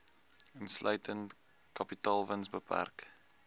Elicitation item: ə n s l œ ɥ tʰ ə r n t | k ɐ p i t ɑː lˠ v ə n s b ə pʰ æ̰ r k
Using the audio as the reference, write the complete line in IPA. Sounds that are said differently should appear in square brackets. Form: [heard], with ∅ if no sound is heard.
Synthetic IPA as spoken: ə n s l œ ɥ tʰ ə [∅] n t | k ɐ p i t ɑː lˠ v ə n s b ə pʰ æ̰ r k